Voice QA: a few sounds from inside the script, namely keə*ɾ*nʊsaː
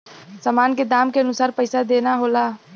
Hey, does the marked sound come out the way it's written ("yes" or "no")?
no